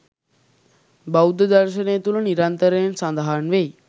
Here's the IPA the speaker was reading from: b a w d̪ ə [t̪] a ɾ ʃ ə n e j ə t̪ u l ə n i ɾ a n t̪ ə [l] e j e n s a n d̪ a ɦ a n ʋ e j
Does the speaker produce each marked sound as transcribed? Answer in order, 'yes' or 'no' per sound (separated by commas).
no, no